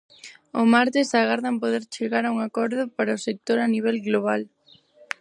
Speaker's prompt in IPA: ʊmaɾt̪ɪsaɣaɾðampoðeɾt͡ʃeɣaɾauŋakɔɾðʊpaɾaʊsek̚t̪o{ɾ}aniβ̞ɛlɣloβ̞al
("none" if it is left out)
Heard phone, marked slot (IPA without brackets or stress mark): ɾ